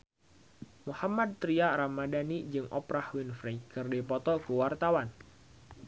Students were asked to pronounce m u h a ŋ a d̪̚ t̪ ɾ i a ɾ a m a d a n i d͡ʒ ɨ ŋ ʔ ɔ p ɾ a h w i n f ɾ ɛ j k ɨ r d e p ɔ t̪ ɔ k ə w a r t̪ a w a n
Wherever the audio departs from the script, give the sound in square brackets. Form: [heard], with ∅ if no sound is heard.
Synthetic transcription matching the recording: m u h a [m] a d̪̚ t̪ ɾ i a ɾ a m a d a n i d͡ʒ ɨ ŋ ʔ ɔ p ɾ a h w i n f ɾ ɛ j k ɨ r d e p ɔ t̪ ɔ k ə w a r t̪ a w a n

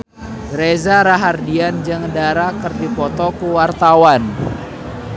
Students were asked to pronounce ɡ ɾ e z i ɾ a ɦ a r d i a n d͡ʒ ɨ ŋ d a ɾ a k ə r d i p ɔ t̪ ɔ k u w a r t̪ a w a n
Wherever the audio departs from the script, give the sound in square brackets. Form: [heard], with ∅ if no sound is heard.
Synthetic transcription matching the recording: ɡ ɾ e z [a] ɾ a ɦ a r d i a n d͡ʒ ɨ ŋ d a ɾ a k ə r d i p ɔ t̪ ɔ k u w a r t̪ a w a n

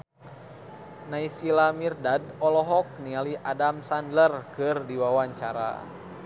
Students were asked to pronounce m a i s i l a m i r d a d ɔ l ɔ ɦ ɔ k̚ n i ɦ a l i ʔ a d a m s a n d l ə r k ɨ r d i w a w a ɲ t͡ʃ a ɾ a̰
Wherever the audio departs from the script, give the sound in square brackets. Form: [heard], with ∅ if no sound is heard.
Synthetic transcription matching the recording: [n] a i s i l a m i r d a d ɔ l ɔ ɦ ɔ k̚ n i [∅] a l i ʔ a d a m s a n d l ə r k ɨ r d i w a w a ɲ t͡ʃ a ɾ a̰

